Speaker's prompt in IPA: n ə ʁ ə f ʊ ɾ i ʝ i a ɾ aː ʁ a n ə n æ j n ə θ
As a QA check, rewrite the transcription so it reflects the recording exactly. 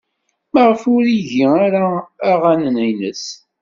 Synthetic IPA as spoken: m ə ʁ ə f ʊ ɾ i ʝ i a ɾ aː ʁ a n ə n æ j n ə s